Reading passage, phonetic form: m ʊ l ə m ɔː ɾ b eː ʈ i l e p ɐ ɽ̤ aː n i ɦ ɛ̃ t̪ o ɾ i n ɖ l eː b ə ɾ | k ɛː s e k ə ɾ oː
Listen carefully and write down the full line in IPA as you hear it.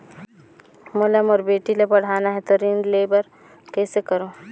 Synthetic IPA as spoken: m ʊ l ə m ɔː ɾ b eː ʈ i l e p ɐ ɽ̤ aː n a ɦ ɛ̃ t̪ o ɾ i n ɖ l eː b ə ɾ | k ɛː s e k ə ɾ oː